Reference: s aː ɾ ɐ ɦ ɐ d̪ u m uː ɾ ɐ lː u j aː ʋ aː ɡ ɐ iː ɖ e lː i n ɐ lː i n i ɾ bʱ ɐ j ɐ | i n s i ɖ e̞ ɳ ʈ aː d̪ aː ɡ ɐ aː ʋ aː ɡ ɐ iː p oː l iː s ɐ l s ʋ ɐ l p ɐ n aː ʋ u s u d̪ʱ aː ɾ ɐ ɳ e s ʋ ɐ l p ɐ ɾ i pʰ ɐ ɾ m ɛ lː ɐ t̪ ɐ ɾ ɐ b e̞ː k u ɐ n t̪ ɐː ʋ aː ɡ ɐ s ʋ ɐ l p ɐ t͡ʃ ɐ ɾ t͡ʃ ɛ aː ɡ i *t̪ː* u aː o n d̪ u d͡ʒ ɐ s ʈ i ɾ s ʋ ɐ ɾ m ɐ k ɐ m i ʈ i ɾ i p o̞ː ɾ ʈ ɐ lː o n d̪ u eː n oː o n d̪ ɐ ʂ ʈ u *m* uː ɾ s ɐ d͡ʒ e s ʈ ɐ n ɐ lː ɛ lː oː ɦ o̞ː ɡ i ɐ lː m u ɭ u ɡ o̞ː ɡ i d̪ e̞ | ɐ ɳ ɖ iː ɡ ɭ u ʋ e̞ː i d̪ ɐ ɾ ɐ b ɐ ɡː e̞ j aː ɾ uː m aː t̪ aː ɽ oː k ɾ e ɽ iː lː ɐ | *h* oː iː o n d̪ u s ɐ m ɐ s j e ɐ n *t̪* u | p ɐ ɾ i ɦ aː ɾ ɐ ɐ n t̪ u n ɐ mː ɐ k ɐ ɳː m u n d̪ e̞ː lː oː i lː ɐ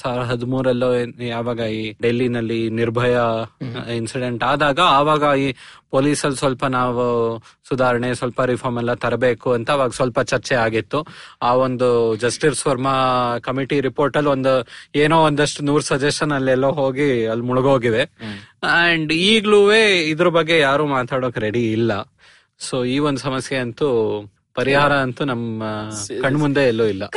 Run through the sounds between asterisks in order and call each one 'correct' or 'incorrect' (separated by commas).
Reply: correct, incorrect, incorrect, correct